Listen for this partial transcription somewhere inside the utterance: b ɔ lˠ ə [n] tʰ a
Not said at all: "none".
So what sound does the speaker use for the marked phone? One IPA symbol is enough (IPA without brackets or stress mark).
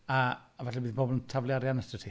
n